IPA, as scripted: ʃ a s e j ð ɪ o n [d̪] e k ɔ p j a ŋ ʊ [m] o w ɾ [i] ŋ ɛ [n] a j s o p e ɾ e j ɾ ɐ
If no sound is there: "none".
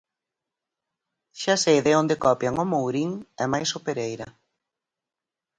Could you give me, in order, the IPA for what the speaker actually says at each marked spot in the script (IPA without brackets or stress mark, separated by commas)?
d̪, m, i, m